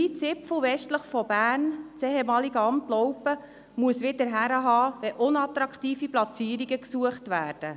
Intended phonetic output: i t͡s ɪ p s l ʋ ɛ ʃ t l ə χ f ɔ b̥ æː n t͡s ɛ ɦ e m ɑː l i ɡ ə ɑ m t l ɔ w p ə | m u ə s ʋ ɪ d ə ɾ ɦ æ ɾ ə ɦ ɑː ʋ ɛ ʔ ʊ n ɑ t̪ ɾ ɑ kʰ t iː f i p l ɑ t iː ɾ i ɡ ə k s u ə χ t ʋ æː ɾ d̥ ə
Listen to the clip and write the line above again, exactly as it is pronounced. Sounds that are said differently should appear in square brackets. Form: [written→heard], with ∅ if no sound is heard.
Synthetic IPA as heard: i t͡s ɪ p [s→f] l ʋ ɛ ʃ t l ə χ f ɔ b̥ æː n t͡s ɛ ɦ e m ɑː l i ɡ ə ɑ m t l ɔ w p ə | m u ə s ʋ ɪ d ə ɾ ɦ æ ɾ ə ɦ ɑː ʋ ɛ ʔ ʊ n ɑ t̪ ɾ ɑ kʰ t iː f i p l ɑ [t→t͡s] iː ɾ i ɡ ə k s u ə χ t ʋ æː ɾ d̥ ə

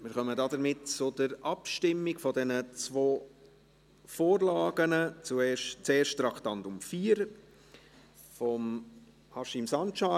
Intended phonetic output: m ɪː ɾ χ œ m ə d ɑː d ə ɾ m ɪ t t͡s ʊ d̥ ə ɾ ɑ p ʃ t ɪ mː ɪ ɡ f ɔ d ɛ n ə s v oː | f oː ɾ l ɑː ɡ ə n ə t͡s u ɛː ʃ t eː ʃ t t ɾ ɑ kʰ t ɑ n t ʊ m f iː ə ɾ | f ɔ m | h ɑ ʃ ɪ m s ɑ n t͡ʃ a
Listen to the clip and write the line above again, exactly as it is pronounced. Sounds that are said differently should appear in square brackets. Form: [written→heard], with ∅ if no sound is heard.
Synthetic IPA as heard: m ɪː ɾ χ œ m ə d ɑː d ə ɾ m ɪ t t͡s ʊ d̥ ə ɾ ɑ p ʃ t ɪ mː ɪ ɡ f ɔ d ɛ n ə [s→t͡s] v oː | f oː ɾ l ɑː ɡ ə n ə t͡s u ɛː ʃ [t→t͡s] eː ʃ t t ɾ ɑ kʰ t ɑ n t ʊ m f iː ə ɾ | f ɔ m | h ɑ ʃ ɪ m s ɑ n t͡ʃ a

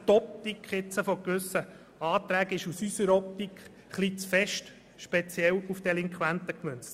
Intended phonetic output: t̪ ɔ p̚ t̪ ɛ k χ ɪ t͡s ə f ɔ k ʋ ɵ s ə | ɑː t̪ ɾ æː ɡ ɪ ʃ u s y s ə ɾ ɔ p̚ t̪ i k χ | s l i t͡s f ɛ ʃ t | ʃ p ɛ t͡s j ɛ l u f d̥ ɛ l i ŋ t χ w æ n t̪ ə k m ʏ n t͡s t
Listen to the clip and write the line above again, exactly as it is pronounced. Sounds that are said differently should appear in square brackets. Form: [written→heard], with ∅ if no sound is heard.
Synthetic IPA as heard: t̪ ɔ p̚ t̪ [ɛ→i] k χ ɪ t͡s ə f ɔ k ʋ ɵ s ə | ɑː t̪ ɾ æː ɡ ɪ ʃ u s y s ə ɾ ɔ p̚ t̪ i k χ | [s→χ] l i t͡s f ɛ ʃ t | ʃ p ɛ t͡s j ɛ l u f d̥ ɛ l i ŋ [t→k] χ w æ n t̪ ə k m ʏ n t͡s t

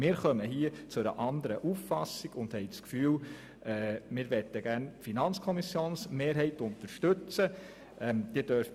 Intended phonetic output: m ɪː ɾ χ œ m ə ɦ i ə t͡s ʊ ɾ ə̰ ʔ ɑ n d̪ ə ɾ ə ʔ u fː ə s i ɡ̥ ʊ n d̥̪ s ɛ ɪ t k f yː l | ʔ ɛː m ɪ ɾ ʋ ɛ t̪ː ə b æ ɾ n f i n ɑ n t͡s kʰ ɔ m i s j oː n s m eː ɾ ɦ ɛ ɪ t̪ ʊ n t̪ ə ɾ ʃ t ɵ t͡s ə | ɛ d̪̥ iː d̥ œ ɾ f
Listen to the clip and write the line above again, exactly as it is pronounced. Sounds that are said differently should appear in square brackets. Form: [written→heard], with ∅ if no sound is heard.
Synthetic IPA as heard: m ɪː ɾ χ œ m ə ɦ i ə t͡s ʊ ɾ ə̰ ʔ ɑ n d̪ ə ɾ ə ʔ u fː [ə→ɑ] s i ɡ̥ ʊ n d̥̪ [s→h] ɛ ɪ [t→t͡s] k f yː l | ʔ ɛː m ɪ ɾ ʋ ɛ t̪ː ə [b→ɡ] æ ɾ n f i n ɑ n t͡s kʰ ɔ m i s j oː n s m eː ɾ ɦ ɛ ɪ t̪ ʊ n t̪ ə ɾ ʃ t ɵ t͡s ə | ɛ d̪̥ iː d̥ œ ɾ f

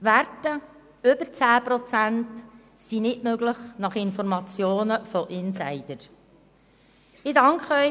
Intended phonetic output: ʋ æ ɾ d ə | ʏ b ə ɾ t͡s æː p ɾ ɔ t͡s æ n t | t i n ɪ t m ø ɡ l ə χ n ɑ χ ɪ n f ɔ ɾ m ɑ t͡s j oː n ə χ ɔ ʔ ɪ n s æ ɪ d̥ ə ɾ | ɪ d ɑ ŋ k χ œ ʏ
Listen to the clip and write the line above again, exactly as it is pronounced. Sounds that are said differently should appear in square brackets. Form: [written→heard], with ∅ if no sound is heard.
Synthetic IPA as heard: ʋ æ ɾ [d→t] ə | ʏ b ə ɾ t͡s æː p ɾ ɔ t͡s æ n t | [t→s] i n ɪ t m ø ɡ l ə χ n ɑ χ ɪ n f ɔ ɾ m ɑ t͡s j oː n ə [χ→f] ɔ ʔ ɪ n s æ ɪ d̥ ə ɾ | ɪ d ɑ ŋ k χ œ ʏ

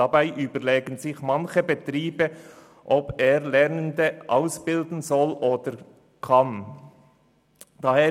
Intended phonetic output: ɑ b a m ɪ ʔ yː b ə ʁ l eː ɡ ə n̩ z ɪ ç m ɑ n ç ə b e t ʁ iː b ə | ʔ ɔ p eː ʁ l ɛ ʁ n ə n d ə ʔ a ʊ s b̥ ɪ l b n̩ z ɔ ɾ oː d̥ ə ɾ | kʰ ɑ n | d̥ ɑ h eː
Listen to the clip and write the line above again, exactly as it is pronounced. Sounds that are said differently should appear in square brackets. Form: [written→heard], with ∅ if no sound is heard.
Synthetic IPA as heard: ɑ b a [m→∅] ɪ ʔ yː b ə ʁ l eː ɡ ə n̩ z ɪ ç m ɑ n ç ə b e t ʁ iː b ə | ʔ ɔ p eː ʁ l ɛ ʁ n ə n d ə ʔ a ʊ s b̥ ɪ l [b→d] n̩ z ɔ [ɾ→l] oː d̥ ə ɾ | kʰ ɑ n | d̥ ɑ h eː

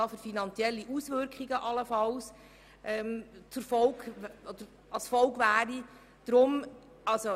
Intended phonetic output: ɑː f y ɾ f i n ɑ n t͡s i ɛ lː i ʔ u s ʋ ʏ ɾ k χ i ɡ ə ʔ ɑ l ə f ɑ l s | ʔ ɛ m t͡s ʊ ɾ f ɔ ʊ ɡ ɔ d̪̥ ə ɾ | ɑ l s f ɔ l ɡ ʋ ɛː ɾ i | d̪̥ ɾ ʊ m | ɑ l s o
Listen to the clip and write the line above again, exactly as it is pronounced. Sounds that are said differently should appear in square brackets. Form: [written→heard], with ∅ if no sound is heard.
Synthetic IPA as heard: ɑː f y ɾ f i n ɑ n t͡s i ɛ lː i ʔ u s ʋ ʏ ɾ k χ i ɡ ə ʔ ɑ l ə f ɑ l s | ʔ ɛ m t͡s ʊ ɾ f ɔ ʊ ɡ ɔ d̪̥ ə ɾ | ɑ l s f ɔ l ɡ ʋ [ɛː→æː] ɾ i | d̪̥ ɾ ʊ m | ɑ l s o

